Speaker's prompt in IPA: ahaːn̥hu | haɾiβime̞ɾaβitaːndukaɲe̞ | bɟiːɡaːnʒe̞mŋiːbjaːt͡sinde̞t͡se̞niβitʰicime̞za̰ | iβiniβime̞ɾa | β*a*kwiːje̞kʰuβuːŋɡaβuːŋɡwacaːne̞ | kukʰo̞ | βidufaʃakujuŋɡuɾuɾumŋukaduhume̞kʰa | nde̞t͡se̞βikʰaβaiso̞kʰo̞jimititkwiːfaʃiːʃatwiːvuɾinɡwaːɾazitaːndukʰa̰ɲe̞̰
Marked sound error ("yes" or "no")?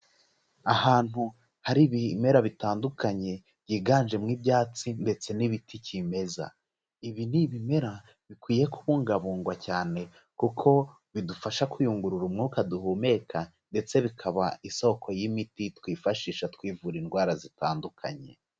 yes